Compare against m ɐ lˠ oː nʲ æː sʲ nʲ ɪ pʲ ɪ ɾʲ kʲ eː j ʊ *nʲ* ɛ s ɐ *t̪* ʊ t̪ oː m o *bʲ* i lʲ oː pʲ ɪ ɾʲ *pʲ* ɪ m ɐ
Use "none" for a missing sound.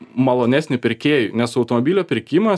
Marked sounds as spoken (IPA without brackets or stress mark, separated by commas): nʲ, none, bʲ, kʲ